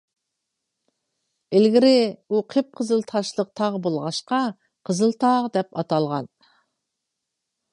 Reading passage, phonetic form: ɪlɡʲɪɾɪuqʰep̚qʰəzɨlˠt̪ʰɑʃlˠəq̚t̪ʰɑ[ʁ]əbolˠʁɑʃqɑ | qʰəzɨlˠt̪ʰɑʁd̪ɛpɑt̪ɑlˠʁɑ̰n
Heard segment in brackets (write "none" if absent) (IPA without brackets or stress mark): ʁ